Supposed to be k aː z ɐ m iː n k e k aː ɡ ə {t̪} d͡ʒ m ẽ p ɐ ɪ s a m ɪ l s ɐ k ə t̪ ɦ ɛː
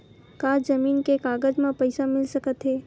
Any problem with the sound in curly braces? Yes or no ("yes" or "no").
yes